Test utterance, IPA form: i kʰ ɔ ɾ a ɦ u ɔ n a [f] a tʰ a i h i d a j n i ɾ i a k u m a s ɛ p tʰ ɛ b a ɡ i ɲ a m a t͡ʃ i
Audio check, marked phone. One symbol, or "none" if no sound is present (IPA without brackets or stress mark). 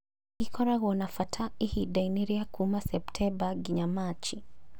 f